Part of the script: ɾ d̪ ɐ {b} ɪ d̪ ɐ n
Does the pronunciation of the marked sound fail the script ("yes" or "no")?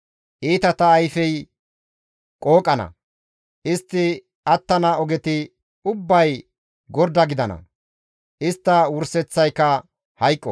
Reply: yes